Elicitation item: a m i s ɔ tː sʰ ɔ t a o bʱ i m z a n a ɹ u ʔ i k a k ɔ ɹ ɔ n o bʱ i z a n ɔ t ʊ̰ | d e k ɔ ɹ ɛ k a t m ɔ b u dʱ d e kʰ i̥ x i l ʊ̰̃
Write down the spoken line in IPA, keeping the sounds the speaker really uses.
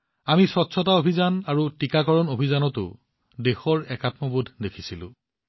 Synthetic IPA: a m i s ɔ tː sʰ ɔ t a o bʱ i z a n a ɹ u t i k a k ɔ ɹ ɔ n o bʱ i z a n ɔ t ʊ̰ | d e x ɔ ɹ ɛ k a t m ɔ b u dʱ d e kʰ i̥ s i l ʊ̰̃